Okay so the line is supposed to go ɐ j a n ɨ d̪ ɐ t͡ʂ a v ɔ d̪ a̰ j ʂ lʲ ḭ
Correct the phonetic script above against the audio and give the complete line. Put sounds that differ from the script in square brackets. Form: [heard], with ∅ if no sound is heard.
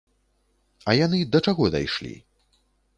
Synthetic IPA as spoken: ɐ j a n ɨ d̪ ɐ t͡ʂ a [ɣ] ɔ d̪ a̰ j ʂ lʲ ḭ